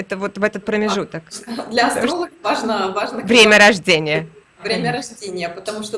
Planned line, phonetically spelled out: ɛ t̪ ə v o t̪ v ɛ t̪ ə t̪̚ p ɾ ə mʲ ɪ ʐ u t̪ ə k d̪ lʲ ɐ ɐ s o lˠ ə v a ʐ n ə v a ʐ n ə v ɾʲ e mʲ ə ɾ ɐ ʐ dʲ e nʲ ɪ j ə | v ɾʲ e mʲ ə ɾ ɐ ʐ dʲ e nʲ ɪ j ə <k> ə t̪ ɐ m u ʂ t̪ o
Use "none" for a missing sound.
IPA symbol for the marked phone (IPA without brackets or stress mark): p